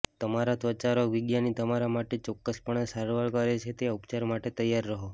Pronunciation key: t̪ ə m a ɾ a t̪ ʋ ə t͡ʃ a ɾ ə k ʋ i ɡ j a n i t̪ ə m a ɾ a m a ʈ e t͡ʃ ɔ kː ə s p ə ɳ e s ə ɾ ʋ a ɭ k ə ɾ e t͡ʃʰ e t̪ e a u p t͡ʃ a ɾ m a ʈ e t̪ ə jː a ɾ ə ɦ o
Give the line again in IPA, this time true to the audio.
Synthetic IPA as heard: t̪ ə m a ɾ a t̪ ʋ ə t͡ʃ a ɾ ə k ʋ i ɡ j a n i t̪ ə m a ɾ a m a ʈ e t͡ʃ ɔ kː ə s p ə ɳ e s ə ɾ ʋ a ɭ k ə ɾ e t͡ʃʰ e t̪ e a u p t͡ʃ a ɾ m a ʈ e t̪ ə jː a ɾː ə ɦ o